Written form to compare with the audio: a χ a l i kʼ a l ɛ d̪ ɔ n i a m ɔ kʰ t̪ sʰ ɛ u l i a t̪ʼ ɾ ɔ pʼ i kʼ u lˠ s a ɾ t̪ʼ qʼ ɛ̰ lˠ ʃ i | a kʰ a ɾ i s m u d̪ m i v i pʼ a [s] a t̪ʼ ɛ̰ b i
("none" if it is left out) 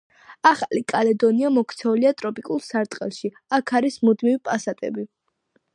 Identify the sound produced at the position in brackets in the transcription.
s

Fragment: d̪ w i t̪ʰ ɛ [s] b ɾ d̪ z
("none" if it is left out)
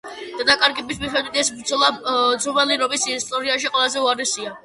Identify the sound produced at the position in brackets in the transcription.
s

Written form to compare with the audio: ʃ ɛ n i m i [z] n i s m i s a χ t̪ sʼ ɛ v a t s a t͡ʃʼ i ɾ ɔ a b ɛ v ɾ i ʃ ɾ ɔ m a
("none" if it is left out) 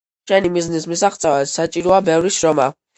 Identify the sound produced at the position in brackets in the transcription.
z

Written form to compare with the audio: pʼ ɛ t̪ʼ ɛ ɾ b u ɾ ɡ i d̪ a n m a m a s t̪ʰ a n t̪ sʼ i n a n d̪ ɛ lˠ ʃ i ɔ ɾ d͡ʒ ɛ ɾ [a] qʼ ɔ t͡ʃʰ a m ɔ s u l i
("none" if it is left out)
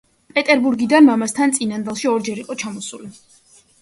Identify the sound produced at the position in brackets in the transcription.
i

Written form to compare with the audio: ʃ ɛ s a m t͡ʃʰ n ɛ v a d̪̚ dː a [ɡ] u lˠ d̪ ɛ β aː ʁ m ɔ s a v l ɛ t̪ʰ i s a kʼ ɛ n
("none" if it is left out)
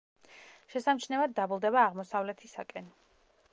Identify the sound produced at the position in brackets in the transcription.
b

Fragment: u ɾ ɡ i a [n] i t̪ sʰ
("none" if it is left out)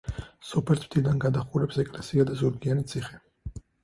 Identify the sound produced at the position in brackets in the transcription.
n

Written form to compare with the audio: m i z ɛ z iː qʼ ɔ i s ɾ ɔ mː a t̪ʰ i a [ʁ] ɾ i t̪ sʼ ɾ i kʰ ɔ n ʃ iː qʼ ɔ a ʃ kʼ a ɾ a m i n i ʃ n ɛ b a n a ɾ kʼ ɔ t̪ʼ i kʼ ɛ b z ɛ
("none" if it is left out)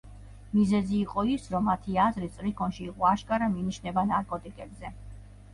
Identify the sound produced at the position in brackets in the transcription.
z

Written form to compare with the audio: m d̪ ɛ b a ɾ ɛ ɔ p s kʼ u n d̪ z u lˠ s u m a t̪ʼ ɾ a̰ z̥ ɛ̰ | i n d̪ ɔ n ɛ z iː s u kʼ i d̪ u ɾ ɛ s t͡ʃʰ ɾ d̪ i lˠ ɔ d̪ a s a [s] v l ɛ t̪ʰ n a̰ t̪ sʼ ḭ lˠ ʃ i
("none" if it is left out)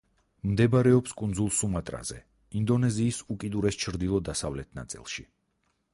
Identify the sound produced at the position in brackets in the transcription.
none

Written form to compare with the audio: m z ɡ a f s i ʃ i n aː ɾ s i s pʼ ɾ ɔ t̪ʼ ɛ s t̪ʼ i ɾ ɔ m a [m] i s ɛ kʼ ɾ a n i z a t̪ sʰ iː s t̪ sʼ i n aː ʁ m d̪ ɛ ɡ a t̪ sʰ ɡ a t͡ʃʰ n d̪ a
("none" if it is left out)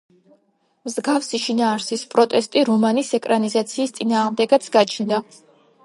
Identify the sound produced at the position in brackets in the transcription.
n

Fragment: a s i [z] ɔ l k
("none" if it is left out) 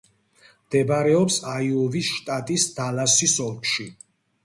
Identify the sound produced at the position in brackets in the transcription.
s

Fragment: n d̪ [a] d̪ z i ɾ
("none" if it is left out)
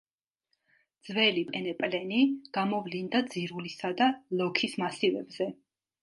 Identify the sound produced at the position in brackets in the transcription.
a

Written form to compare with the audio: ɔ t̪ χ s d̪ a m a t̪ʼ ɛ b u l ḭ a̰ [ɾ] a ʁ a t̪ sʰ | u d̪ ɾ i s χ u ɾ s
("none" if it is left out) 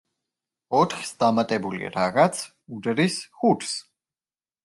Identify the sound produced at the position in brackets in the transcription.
ɾ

